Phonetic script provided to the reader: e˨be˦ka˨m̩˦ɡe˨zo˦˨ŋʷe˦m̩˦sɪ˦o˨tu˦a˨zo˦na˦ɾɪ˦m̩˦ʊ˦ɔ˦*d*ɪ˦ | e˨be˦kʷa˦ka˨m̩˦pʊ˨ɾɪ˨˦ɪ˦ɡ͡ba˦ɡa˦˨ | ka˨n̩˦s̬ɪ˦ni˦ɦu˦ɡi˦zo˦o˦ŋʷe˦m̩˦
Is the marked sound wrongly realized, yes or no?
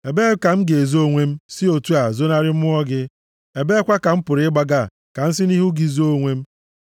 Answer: yes